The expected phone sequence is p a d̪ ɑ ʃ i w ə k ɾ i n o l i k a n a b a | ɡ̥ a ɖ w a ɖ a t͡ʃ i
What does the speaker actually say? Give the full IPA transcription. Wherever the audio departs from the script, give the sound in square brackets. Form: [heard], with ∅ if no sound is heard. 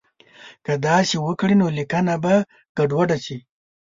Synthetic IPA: [k] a d̪ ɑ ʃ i w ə k [ɽ] i n o l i k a n a b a | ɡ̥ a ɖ w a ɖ a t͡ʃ i